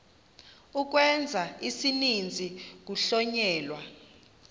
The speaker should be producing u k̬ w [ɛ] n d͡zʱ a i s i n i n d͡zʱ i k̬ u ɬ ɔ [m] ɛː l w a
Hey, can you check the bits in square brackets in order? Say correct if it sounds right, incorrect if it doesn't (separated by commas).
correct, incorrect